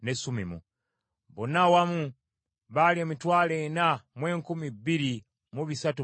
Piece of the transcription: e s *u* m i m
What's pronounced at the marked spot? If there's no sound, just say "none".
u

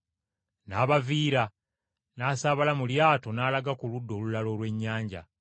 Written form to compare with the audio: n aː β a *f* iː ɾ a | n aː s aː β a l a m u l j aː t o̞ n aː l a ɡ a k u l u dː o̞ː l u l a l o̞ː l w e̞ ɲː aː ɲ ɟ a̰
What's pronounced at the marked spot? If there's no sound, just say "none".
v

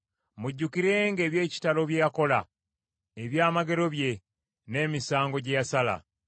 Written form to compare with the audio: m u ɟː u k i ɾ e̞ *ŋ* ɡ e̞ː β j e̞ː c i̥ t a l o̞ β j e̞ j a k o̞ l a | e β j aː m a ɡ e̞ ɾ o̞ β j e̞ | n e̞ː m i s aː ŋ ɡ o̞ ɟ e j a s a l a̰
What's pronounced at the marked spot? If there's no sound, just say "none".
ŋ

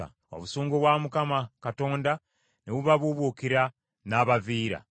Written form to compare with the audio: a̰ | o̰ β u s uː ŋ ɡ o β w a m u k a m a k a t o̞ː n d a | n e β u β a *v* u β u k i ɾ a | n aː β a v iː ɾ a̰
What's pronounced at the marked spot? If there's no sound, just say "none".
β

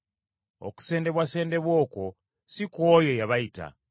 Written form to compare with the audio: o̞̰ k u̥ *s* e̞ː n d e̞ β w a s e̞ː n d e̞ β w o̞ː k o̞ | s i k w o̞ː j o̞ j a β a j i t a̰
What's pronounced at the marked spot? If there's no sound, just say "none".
s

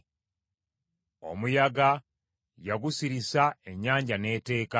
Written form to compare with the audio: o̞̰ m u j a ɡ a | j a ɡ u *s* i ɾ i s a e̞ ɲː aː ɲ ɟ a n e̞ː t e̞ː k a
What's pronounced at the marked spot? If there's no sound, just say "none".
s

